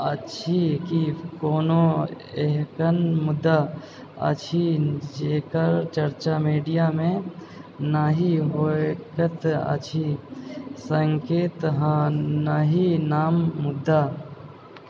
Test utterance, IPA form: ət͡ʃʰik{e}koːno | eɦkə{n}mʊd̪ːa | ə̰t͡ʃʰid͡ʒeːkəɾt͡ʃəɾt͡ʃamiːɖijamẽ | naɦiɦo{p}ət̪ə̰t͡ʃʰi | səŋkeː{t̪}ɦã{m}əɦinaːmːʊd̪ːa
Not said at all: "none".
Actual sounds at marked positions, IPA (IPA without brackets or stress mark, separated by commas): i, n, k, t̪, n